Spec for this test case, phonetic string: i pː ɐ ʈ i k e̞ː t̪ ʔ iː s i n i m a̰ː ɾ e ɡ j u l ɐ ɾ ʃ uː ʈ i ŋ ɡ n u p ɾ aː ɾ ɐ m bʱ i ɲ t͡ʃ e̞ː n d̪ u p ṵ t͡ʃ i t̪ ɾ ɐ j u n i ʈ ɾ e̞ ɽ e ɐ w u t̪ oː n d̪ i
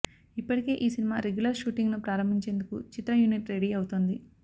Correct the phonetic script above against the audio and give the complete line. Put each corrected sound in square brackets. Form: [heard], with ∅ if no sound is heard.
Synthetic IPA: i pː ɐ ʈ i k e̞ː [∅] ʔ iː s i n i m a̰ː ɾ e ɡ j u l ɐ ɾ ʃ uː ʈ i ŋ ɡ n u p ɾ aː ɾ ɐ m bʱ i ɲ t͡ʃ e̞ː n d̪ u [k] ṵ t͡ʃ i t̪ ɾ ɐ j u n i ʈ ɾ e̞ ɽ [i] ɐ w u t̪ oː n d̪ i